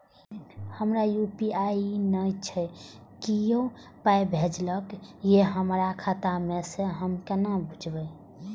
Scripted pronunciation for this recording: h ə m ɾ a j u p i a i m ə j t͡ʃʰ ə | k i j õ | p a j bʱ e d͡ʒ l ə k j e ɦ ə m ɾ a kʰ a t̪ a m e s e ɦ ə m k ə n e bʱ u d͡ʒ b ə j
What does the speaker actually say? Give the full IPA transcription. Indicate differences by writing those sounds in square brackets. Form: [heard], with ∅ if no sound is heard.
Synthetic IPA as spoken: h ə m ɾ a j u p i a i [n] ə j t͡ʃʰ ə | k i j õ | p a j bʱ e d͡ʒ l ə k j e ɦ ə m ɾ a kʰ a t̪ a m e s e ɦ ə m k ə n [a] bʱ u d͡ʒ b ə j